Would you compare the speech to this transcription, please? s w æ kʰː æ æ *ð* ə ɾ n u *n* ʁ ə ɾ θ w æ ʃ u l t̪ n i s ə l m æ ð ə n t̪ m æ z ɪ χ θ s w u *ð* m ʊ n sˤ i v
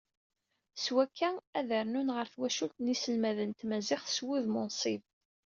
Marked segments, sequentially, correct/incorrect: correct, correct, correct

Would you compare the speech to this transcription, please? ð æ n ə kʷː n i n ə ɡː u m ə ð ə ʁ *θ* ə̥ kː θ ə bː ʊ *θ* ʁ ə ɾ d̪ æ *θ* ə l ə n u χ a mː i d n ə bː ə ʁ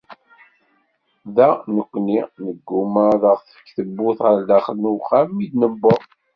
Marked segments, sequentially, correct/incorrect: correct, correct, incorrect

